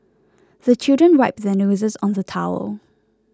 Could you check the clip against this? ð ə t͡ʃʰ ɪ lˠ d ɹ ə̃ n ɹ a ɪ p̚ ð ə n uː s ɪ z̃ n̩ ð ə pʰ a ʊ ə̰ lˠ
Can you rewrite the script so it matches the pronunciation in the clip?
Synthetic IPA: ð ə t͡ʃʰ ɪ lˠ d ɹ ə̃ n ɹ a ɪ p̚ ð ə n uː z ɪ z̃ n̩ ð ə tʰ a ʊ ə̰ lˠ